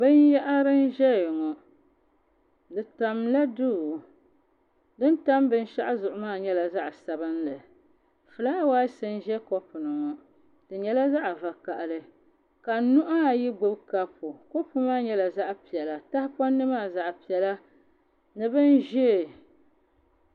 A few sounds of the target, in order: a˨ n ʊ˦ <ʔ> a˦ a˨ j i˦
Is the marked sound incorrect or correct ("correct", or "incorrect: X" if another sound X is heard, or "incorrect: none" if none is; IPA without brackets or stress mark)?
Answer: correct